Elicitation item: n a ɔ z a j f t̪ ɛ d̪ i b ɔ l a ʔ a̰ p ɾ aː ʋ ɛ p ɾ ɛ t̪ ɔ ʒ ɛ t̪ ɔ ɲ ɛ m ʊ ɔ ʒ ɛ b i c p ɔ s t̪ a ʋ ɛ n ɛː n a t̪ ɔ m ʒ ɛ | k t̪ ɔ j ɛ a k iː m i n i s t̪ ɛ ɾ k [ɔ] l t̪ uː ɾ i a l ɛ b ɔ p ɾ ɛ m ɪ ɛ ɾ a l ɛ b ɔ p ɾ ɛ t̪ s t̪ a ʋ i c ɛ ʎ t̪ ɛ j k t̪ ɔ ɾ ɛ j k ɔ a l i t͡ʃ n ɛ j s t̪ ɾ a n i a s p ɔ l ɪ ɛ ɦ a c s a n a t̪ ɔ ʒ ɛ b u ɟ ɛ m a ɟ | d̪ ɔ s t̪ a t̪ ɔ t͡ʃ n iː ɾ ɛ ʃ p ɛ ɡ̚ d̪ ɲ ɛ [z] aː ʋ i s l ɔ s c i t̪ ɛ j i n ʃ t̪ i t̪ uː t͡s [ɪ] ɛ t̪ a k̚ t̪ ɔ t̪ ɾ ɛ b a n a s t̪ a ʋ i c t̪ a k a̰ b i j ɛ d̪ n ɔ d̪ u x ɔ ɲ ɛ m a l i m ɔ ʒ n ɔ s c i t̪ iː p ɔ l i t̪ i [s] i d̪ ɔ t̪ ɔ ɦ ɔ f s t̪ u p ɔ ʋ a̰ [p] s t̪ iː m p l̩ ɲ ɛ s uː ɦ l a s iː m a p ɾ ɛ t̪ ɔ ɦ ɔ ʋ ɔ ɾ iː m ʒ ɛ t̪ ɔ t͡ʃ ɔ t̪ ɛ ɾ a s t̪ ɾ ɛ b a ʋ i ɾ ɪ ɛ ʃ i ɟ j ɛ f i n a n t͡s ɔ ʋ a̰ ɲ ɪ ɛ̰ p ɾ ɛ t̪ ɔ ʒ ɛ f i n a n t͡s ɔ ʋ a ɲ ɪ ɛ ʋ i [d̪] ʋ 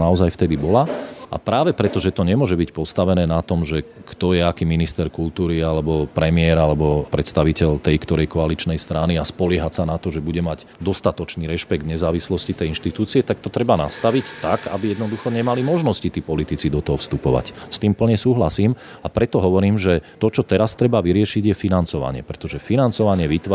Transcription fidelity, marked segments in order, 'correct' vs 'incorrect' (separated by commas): incorrect, correct, incorrect, incorrect, incorrect, incorrect